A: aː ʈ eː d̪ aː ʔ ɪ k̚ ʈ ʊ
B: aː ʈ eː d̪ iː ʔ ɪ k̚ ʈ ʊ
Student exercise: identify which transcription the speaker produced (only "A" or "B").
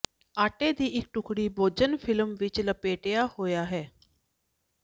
B